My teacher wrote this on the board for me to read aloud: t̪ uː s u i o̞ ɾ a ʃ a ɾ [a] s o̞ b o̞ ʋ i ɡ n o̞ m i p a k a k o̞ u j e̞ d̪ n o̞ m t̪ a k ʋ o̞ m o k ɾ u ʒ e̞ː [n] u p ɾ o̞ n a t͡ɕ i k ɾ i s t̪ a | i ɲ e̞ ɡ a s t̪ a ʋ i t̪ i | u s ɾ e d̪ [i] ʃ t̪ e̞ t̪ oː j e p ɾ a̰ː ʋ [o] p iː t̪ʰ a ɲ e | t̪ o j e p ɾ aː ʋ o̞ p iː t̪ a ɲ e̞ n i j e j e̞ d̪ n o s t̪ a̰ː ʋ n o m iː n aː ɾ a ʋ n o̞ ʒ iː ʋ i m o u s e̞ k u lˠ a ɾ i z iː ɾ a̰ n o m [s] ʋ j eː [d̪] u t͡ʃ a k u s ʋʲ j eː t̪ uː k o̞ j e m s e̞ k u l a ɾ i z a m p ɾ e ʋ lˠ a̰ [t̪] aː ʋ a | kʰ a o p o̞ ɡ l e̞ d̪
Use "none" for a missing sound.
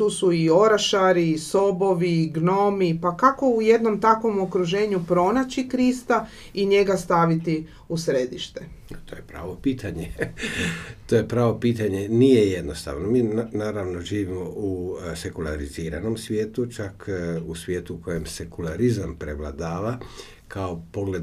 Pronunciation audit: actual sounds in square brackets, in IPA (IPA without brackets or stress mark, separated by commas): i, ɲ, i, o, s, t̪, d̪